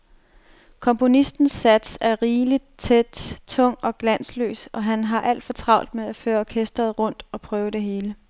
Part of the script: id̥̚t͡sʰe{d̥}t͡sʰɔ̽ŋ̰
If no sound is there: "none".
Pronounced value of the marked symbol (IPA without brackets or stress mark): d̥